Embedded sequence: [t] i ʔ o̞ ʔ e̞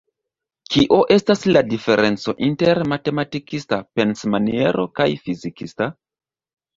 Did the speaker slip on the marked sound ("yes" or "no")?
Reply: yes